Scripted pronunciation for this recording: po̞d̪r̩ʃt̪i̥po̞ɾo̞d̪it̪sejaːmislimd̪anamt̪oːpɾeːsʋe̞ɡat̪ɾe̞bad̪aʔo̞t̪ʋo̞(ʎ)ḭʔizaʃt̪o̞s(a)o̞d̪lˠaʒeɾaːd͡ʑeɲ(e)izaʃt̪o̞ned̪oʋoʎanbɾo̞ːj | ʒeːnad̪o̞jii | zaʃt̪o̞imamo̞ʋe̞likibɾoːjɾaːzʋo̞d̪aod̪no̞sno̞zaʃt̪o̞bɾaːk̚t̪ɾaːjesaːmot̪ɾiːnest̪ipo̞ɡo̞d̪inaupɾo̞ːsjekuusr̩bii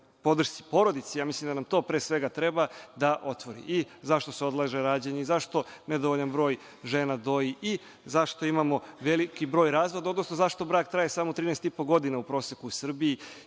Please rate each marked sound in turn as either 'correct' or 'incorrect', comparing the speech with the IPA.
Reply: incorrect: ɾ, incorrect: e, correct

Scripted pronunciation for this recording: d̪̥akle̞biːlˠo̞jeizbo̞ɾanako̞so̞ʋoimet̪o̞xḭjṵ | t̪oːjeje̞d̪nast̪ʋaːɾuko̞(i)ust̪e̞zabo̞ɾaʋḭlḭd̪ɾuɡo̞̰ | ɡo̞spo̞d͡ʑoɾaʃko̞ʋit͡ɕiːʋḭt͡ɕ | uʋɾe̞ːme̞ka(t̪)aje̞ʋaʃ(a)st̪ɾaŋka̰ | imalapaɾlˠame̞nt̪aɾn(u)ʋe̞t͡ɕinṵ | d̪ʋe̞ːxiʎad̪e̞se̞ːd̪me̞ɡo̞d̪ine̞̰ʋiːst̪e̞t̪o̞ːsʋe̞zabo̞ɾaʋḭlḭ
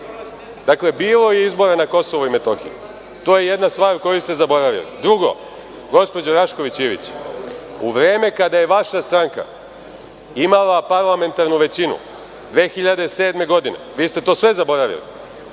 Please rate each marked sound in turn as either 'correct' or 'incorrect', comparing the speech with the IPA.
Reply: incorrect: j, incorrect: d̪, correct, correct

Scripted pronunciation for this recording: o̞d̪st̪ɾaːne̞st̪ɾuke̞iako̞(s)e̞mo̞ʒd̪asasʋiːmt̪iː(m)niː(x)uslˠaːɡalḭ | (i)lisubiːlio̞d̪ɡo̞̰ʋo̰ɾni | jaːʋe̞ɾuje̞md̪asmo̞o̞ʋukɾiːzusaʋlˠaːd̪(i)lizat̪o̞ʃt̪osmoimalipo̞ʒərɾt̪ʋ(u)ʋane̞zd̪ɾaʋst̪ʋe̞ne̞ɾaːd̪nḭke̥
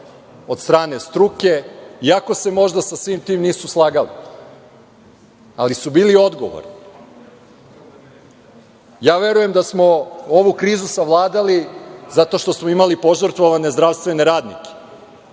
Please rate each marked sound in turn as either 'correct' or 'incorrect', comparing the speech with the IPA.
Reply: correct, correct, incorrect: s, incorrect: a, incorrect: a, incorrect: o

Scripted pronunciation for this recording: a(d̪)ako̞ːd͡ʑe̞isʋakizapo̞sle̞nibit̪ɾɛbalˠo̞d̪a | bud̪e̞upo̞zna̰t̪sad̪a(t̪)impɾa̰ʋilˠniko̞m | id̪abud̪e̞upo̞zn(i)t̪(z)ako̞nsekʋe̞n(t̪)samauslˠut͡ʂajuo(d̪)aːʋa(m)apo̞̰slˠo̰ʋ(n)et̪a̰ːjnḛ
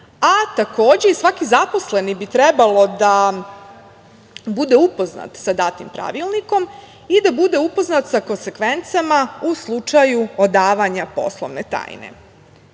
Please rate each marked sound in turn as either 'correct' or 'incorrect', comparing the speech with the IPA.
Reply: incorrect: t̪, correct, incorrect: a, incorrect: s, correct, correct, incorrect: ɲ, correct

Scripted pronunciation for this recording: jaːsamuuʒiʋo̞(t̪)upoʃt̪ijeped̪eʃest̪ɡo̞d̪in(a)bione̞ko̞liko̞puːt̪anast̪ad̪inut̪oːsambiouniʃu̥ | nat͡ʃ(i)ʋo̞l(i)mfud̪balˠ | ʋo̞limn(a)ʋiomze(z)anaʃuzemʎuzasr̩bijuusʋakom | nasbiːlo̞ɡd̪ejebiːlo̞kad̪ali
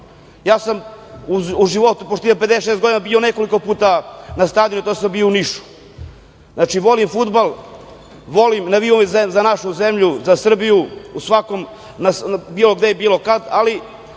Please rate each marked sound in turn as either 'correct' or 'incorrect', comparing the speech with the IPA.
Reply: correct, correct, correct, correct, correct, correct

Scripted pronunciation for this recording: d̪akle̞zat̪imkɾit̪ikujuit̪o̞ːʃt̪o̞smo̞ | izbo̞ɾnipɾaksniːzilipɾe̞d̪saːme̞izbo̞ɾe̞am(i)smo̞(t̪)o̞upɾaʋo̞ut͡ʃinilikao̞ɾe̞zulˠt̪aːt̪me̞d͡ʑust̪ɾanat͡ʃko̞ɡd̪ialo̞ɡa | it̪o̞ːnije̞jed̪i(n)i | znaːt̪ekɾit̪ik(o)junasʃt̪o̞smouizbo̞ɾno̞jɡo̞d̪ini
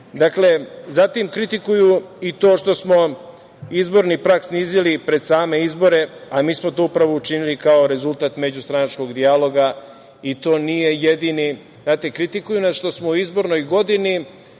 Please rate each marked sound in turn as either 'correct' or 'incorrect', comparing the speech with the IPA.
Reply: incorrect: iː, correct, correct, incorrect: u

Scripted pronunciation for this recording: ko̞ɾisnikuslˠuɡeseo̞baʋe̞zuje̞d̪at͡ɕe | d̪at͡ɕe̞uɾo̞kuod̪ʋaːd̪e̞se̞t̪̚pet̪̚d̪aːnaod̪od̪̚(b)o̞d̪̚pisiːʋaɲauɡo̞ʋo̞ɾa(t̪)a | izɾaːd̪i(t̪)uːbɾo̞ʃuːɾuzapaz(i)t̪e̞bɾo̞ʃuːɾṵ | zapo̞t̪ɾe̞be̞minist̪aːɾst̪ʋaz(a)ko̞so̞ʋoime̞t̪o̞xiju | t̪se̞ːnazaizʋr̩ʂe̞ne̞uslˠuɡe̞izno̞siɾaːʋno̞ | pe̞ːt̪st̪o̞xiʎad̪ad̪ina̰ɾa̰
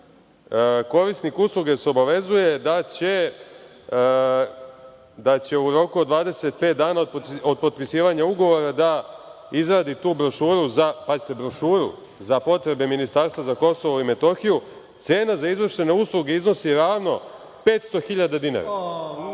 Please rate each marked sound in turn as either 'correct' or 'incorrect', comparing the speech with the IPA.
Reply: incorrect: p, incorrect: d̪, correct, correct, correct

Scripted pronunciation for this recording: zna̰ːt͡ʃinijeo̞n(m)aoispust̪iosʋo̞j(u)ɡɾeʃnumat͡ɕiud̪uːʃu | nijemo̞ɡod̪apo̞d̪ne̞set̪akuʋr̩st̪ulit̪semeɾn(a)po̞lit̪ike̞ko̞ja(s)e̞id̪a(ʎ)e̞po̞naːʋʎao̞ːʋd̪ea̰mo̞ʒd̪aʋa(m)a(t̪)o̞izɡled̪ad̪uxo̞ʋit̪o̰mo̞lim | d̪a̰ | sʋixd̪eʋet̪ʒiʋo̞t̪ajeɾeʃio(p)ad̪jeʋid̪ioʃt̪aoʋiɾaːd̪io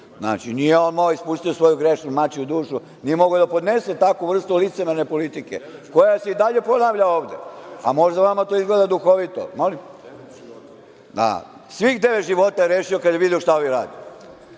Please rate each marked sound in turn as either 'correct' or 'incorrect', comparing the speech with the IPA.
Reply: correct, correct, incorrect: e, correct, correct, correct, correct, incorrect: k

